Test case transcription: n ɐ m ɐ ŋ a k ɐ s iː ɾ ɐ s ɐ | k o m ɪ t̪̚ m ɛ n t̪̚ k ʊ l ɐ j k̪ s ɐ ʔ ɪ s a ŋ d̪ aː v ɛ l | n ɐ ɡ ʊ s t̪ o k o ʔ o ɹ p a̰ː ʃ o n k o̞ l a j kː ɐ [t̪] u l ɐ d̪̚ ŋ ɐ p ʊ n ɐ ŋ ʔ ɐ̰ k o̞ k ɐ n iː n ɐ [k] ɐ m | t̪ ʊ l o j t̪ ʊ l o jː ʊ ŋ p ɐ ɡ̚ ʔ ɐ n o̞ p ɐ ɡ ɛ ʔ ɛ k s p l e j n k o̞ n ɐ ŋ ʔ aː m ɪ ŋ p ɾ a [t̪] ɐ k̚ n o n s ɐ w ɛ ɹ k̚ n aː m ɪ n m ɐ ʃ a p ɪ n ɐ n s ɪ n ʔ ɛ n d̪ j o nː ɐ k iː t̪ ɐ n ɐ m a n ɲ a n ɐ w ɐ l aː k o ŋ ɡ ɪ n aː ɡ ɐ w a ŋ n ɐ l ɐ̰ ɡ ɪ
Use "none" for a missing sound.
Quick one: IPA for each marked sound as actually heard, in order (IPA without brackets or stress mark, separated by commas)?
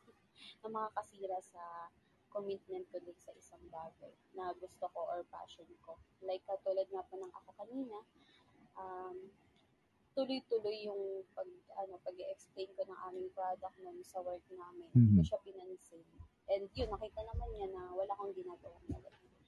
t̪, ʔ, d̪